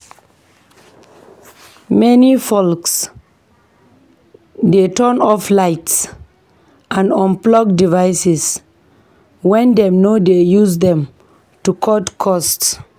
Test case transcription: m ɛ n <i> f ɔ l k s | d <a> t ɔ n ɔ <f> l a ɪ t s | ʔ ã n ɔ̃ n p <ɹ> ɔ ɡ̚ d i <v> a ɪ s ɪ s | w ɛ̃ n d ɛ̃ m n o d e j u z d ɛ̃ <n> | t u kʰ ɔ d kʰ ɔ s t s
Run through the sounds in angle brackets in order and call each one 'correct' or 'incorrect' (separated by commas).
correct, incorrect, correct, incorrect, correct, incorrect